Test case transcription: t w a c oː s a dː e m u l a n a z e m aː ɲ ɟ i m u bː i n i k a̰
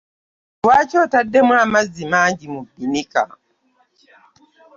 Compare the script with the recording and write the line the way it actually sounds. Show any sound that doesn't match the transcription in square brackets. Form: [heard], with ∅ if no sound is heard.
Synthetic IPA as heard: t w a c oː [t] a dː e m u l a [m] a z [i] m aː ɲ ɟ i m u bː i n i k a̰